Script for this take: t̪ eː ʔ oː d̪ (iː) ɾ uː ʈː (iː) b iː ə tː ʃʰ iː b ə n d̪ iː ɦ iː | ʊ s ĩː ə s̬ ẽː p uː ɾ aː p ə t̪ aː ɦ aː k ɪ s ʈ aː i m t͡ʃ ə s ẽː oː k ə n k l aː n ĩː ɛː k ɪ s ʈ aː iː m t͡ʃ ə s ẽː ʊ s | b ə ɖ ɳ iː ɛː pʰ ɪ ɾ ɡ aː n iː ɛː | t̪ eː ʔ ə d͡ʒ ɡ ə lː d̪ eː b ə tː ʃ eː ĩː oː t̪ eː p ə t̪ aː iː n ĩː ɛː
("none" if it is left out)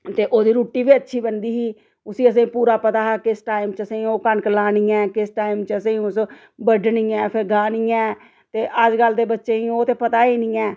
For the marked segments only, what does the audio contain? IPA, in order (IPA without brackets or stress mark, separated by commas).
iː, iː